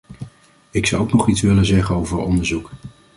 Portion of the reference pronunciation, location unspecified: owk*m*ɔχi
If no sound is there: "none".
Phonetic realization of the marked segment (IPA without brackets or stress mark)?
n